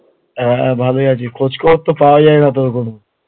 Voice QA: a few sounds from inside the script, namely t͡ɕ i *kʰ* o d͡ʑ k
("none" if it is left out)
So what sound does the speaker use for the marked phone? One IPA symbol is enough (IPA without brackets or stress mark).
kʰ